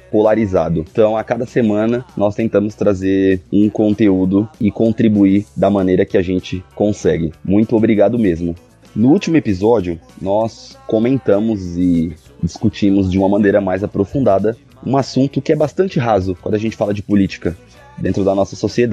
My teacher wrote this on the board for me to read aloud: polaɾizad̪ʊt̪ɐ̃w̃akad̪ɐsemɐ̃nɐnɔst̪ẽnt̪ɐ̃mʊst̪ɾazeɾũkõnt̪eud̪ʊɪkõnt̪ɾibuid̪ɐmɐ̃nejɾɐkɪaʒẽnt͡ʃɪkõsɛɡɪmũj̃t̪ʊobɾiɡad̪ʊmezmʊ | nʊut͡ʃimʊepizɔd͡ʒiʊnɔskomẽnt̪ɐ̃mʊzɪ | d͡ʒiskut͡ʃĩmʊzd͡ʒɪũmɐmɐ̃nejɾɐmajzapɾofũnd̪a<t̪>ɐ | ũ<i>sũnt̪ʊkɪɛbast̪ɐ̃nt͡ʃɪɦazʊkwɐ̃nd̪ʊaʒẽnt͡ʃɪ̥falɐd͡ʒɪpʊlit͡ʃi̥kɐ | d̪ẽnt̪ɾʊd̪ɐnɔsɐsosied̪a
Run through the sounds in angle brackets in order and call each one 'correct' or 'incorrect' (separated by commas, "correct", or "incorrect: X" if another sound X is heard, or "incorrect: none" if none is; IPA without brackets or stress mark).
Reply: incorrect: d̪, incorrect: a